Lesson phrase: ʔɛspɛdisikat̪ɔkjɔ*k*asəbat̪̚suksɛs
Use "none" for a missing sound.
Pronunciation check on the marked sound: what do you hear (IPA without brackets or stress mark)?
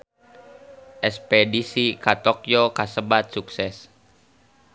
k